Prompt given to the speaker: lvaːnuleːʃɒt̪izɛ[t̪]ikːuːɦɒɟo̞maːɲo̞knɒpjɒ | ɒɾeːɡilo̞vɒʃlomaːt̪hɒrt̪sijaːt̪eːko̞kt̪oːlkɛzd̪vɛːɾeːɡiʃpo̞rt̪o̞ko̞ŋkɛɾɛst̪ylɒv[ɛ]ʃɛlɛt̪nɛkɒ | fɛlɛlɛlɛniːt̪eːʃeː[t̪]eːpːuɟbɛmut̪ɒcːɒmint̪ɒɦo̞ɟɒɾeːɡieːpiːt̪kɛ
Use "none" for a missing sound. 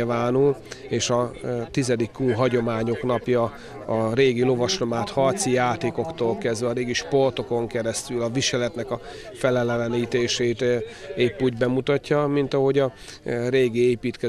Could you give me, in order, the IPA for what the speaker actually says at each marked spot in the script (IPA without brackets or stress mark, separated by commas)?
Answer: d̪, i, t̪